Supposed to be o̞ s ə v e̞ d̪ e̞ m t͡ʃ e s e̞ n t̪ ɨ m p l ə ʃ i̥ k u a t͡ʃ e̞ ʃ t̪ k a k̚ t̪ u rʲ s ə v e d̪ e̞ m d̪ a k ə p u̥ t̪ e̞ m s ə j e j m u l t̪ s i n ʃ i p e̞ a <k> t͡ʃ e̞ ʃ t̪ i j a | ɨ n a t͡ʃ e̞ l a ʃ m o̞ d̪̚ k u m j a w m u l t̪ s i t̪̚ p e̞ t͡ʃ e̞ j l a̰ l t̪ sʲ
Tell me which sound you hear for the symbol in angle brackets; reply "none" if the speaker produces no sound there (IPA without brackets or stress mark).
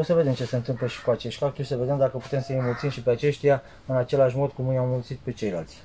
none